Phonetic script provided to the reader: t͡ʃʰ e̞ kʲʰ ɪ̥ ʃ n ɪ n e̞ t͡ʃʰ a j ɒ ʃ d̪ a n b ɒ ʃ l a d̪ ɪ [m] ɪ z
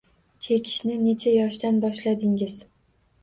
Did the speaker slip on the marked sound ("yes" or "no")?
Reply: yes